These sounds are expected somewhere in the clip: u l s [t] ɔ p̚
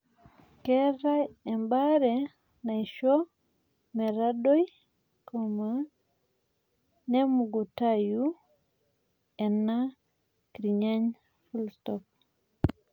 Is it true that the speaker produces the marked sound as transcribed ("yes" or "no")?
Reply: yes